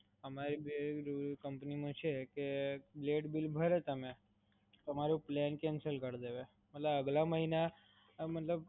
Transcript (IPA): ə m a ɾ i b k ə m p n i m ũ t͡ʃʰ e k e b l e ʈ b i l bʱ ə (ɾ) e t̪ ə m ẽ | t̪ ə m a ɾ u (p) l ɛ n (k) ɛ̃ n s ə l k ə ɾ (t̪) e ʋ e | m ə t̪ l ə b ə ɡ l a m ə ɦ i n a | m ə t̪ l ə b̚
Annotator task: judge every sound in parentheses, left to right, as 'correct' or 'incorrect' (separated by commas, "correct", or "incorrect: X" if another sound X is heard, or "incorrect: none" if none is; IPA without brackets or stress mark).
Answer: correct, correct, correct, incorrect: d̪